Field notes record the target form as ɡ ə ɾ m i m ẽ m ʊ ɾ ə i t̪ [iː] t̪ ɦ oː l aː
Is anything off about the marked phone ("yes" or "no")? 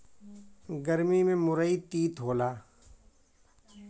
no